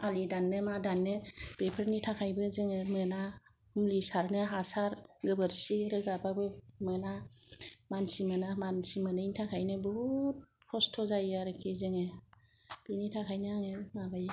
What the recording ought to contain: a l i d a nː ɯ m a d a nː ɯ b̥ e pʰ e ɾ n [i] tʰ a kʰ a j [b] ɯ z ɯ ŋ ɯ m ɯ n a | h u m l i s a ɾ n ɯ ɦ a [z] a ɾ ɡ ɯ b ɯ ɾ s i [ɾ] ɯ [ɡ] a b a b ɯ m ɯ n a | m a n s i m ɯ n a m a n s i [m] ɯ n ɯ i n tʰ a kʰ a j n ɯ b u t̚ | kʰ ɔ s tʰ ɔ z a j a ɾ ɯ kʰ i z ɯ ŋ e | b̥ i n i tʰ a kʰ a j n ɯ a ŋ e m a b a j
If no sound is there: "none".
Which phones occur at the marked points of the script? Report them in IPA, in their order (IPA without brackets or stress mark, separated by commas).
i, b, s, ɾ, ɡ, m